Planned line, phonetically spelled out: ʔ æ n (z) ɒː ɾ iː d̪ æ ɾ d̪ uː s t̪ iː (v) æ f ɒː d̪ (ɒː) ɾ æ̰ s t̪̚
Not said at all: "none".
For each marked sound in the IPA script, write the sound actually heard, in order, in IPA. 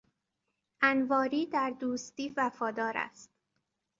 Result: v, v, ɒː

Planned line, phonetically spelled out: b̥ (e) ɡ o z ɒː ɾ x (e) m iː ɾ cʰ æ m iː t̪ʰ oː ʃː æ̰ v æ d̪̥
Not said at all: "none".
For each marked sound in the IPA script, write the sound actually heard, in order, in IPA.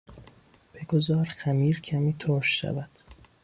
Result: e, æ

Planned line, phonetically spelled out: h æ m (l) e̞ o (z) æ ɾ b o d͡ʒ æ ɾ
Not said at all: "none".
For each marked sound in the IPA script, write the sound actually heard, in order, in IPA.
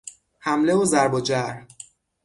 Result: l, z

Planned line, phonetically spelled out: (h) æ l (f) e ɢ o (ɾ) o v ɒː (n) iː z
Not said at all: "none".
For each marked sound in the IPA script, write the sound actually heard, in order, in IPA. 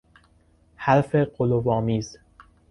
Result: h, f, l, m

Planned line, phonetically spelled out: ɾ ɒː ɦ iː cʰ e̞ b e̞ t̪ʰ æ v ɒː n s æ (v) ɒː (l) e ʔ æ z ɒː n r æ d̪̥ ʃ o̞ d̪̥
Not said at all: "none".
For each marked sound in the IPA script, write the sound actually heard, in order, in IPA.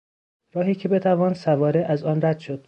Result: v, ɾ

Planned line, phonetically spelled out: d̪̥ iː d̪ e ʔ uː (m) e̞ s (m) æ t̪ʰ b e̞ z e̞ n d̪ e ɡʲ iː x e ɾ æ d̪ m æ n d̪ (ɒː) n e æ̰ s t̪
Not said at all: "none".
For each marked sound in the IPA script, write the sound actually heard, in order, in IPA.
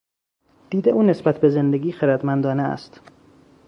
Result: n, b, ɒː

